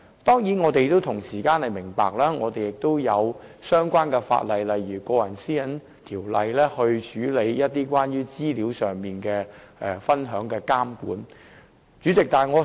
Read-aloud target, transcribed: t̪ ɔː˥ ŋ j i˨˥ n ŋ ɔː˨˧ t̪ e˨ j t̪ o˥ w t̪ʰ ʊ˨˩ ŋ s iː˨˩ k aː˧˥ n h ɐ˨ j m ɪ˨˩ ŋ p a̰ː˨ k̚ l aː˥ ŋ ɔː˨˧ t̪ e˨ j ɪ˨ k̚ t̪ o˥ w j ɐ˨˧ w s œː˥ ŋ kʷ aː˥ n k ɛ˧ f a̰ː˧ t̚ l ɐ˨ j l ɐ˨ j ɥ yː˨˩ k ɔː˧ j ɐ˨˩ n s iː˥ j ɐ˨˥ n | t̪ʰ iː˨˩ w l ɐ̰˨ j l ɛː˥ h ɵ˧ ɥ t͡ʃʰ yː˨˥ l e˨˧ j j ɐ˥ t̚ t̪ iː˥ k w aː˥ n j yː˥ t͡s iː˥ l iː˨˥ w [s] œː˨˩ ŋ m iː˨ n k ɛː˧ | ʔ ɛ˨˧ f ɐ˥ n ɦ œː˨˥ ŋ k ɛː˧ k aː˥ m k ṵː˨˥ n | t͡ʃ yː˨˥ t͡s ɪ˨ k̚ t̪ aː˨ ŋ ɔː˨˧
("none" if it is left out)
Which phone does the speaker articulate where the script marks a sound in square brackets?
s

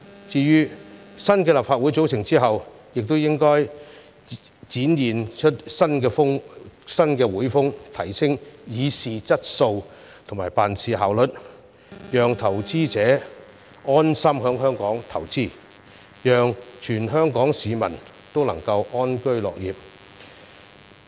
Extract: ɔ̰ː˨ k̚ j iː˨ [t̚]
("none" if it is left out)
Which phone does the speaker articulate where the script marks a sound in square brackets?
p̚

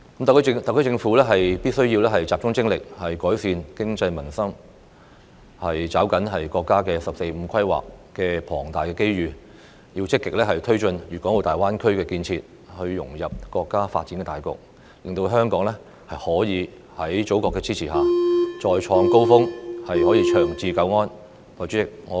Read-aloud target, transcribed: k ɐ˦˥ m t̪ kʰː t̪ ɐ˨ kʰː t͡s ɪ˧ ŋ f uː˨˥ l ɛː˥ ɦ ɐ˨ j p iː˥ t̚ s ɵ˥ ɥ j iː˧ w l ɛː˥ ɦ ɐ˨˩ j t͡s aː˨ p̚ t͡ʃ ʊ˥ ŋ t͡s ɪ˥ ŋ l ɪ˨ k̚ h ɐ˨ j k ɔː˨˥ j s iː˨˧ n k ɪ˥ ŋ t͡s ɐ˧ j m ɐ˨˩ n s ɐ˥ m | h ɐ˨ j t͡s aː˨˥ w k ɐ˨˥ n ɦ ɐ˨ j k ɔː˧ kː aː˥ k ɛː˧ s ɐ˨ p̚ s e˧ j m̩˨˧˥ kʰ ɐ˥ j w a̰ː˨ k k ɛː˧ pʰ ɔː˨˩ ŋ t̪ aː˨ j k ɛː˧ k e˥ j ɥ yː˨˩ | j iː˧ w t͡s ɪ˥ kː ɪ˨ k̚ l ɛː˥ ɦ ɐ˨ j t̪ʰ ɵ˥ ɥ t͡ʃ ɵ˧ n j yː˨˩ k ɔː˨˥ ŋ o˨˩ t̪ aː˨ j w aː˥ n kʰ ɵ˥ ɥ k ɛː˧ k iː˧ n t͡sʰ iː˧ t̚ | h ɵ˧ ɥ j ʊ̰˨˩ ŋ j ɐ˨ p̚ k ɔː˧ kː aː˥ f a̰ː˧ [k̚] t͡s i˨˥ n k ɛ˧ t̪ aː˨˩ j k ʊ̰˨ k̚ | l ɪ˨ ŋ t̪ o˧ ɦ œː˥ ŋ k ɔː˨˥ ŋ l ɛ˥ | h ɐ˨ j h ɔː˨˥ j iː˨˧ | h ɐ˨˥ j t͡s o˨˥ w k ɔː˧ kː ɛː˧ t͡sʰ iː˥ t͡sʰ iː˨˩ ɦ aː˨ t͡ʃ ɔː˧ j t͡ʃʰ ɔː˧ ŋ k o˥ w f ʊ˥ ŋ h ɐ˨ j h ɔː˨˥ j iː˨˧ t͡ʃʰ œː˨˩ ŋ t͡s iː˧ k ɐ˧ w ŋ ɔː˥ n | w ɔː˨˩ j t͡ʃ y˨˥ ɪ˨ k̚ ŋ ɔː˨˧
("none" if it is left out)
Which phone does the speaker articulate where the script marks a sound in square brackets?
t̚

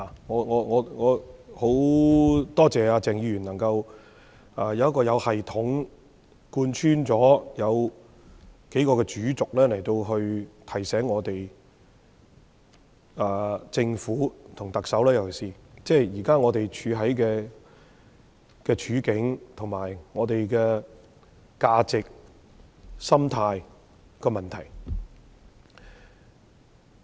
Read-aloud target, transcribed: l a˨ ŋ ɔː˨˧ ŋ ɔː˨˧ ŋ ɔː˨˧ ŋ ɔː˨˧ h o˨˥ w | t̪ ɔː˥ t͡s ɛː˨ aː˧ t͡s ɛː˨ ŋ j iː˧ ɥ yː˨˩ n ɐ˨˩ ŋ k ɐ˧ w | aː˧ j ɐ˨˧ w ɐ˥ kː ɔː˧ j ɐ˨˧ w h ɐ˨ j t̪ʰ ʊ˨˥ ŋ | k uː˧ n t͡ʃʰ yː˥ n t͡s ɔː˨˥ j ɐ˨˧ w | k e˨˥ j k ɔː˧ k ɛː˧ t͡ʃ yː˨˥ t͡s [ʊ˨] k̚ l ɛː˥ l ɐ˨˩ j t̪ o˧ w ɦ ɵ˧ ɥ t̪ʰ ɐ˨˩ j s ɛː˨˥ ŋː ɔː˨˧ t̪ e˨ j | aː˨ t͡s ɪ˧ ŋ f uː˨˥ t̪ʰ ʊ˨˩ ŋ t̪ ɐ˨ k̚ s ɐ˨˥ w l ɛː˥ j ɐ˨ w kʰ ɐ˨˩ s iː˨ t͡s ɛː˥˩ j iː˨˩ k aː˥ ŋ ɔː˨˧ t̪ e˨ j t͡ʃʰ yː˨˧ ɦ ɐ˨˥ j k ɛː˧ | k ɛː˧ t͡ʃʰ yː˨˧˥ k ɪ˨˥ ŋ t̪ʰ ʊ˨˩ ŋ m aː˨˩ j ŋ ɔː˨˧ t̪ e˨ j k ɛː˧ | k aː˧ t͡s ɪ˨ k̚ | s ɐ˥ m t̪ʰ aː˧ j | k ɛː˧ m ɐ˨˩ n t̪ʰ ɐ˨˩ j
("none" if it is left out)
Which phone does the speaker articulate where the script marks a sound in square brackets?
ʊ˨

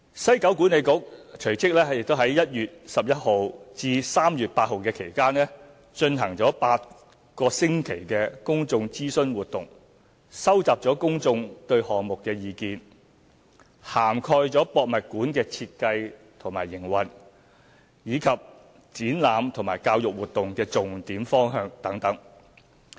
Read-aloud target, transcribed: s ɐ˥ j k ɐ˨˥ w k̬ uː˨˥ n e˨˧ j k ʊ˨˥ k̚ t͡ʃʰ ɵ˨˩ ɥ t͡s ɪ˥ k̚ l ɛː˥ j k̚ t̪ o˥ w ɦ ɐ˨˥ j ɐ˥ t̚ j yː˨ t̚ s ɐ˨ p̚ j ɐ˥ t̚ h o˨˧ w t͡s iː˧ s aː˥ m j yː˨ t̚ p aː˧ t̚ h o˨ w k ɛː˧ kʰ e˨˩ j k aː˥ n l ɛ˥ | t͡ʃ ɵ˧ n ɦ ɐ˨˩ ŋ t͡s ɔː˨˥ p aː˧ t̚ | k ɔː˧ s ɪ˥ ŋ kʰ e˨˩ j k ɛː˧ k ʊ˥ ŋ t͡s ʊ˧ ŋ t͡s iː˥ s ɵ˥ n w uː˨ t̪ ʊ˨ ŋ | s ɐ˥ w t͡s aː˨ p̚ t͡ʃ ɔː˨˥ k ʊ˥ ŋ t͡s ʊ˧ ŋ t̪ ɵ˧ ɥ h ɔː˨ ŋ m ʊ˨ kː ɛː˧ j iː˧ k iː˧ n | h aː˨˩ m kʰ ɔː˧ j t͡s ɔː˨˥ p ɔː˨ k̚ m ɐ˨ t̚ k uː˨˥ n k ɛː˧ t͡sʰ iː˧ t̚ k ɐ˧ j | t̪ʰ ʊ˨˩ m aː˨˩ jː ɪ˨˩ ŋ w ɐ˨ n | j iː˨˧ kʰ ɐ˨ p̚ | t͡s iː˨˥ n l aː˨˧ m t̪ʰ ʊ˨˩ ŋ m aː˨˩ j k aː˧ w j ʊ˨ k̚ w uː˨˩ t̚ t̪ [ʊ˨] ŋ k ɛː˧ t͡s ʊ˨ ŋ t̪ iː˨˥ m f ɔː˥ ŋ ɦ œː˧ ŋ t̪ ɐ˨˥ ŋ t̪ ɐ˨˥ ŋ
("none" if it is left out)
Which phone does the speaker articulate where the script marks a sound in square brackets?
ʊ˨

